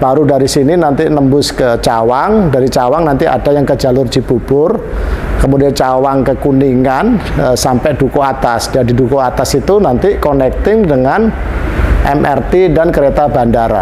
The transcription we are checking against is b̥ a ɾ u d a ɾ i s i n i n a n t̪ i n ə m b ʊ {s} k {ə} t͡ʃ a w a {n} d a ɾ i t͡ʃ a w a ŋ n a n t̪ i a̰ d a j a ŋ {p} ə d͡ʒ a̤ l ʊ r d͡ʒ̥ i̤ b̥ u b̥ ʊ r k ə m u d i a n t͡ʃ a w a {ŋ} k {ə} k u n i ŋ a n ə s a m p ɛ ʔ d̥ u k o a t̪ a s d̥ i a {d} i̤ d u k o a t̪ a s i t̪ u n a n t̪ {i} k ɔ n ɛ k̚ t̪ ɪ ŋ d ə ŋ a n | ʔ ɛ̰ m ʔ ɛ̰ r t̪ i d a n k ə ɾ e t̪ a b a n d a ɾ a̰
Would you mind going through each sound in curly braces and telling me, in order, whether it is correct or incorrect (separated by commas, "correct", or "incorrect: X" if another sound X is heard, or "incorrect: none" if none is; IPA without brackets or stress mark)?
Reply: correct, correct, incorrect: ŋ, incorrect: k, correct, correct, correct, correct